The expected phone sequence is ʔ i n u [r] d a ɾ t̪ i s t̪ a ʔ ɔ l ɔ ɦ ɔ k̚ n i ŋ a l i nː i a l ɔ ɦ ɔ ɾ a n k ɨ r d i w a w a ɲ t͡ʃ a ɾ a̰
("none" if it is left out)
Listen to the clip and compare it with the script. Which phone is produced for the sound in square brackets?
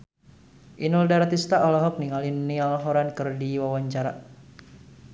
l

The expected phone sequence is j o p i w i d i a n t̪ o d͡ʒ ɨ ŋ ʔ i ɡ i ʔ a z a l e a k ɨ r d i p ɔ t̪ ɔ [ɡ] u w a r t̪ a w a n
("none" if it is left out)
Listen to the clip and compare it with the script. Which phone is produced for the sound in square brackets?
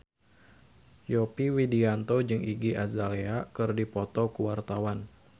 k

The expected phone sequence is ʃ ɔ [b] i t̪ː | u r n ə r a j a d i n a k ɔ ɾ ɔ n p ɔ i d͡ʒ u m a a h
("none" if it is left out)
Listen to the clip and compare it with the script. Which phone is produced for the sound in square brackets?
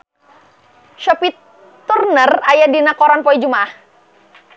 p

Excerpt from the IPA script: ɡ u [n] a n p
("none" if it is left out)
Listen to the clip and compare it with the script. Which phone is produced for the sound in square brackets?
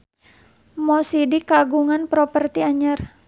ŋ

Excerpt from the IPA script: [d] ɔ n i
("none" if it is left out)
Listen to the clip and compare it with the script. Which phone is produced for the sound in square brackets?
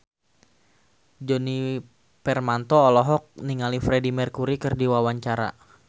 d͡ʒ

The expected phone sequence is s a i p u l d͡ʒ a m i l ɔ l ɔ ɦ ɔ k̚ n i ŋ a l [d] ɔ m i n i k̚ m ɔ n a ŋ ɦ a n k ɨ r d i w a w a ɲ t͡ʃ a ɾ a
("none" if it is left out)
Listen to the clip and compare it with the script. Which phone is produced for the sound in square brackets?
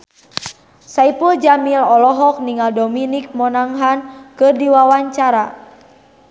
d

